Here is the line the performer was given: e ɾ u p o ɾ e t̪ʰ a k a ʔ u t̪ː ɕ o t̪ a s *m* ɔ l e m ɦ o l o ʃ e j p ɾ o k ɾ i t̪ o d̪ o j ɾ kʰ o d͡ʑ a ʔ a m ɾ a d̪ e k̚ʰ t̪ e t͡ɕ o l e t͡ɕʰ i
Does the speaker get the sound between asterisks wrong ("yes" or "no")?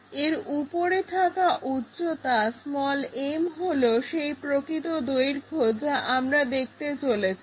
no